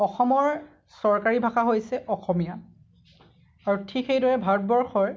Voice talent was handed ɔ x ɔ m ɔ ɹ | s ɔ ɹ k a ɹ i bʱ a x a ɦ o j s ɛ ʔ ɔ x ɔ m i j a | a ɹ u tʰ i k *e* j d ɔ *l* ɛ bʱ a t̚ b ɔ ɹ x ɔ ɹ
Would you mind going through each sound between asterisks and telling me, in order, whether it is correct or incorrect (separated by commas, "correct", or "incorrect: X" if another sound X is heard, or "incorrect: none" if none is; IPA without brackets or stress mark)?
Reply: correct, incorrect: ɹ